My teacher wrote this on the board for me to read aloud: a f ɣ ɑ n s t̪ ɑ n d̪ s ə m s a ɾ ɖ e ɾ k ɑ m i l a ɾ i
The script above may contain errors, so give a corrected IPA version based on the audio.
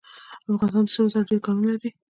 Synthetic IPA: a f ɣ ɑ n s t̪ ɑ n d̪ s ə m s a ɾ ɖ e ɾ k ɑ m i l a ɾ i